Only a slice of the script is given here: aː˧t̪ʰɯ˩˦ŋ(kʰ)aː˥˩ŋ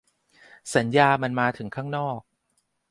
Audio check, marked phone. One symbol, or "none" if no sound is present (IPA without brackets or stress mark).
kʰ